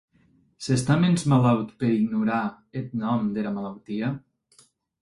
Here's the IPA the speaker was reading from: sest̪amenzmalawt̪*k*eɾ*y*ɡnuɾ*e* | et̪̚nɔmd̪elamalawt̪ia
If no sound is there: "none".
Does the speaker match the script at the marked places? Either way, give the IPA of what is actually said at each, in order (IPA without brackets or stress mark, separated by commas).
p, i, a